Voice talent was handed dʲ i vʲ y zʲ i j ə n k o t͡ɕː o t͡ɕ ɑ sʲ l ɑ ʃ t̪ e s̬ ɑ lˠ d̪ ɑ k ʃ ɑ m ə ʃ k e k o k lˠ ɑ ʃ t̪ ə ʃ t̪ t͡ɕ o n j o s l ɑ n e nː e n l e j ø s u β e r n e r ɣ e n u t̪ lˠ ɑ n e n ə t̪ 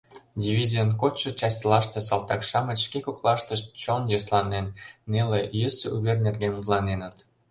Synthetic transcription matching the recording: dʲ i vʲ i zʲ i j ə n k o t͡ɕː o t͡ɕ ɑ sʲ l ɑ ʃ t̪ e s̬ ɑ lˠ t̪ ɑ k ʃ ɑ m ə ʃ k e k o k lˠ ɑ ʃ t̪ ə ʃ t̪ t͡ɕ o n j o s l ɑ n e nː e l e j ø s u β e r n e r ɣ e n u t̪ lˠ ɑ n e n ə t̪